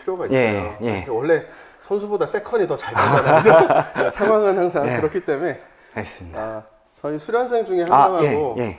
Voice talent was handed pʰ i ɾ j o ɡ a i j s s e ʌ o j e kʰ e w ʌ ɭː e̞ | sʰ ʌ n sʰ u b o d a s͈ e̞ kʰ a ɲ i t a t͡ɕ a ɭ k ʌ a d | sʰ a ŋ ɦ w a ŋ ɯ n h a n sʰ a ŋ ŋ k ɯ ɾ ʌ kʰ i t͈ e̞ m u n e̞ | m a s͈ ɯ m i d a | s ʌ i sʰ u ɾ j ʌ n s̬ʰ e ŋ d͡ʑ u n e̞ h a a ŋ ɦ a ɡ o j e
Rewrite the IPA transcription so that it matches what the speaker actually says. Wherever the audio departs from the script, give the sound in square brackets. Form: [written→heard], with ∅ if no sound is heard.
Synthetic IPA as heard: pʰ i ɾ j o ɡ a i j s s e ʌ o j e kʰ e w ʌ ɭː e̞ | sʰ ʌ n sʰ u b o d a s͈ e̞ kʰ [a→ʌ] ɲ i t [a→ʌ] t͡ɕ a ɭ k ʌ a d | sʰ a ŋ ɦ w a ŋ ɯ n h a [n→ŋ] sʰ a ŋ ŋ k ɯ ɾ ʌ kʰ i t͈ e̞ m u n e̞ | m a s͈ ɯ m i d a | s ʌ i sʰ u ɾ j ʌ n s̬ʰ e ŋ d͡ʑ u [n→ŋ] e̞ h a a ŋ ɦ a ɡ o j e